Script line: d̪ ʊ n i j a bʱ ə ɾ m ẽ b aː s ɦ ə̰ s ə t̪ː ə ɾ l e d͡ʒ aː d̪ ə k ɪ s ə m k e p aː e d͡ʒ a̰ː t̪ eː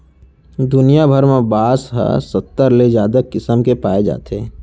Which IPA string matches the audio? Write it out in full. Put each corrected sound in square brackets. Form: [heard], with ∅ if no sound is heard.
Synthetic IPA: d̪ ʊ n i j a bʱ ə ɾ m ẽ b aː s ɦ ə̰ s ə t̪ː ə ɾ l e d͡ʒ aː d̪ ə k ɪ s ə m k e p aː e d͡ʒ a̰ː t̪ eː